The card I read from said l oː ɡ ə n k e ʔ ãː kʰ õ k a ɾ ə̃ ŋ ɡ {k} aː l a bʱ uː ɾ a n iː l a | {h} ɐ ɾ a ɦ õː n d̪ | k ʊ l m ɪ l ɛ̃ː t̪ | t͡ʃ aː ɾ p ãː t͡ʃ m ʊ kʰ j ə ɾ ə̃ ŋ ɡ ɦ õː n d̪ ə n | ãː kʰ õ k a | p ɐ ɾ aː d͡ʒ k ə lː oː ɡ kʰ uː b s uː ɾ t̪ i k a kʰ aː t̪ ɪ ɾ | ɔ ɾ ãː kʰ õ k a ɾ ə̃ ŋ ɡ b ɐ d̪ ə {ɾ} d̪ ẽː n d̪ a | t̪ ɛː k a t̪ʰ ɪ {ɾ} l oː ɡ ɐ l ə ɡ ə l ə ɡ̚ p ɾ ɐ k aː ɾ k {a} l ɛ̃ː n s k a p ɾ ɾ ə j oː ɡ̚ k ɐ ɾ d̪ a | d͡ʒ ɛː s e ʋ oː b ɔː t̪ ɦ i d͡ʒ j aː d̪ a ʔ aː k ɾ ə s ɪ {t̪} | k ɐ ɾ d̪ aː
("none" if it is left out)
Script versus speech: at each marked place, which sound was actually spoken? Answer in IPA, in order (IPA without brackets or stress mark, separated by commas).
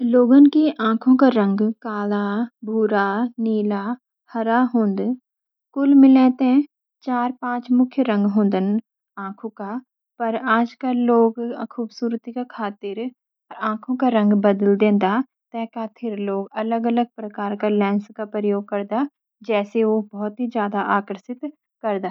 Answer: k, h, l, ɾ, a, t̪